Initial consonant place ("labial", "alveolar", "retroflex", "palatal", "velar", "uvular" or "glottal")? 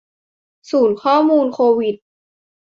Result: alveolar